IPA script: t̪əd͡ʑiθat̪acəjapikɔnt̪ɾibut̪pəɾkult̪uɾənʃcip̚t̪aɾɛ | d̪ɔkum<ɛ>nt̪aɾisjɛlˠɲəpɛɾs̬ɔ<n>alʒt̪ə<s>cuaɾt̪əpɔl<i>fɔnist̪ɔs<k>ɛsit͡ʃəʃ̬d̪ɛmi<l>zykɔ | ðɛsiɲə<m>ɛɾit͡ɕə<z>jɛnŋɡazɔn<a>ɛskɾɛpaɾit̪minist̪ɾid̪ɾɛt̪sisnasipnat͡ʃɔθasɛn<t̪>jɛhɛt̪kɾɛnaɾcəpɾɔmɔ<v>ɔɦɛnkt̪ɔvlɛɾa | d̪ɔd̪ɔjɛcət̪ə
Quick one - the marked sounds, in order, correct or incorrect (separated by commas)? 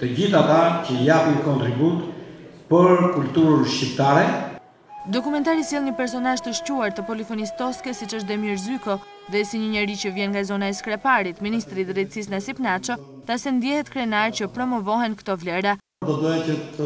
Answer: correct, correct, incorrect, correct, correct, incorrect, incorrect, incorrect, correct, incorrect, correct